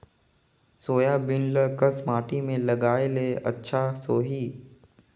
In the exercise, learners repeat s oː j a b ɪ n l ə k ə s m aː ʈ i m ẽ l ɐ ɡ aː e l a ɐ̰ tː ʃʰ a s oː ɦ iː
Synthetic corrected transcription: s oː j a b ɪ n l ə k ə s m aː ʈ i m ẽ l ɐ ɡ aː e l e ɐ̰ tː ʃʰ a s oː ɦ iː